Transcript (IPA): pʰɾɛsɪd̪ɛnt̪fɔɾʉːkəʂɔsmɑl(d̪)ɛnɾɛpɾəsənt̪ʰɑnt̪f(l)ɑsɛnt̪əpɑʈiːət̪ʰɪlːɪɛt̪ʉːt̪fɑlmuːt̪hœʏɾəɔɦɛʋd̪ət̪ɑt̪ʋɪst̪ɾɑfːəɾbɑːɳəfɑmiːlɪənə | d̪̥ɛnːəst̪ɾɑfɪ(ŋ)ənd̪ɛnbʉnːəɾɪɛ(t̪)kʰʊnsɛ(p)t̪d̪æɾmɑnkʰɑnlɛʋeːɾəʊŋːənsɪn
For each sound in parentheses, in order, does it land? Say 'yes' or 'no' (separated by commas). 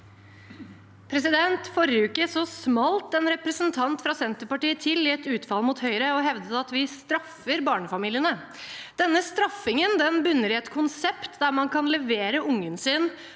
no, no, yes, yes, yes